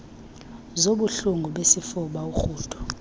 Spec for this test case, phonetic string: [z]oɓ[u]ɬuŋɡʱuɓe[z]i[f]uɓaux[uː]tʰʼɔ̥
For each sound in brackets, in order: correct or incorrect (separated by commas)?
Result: correct, correct, incorrect, correct, correct